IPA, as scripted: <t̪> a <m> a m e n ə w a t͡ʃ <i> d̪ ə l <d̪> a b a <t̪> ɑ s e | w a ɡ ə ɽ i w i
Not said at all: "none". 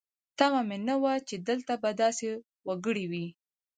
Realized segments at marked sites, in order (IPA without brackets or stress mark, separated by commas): t̪, m, e, t̪, d̪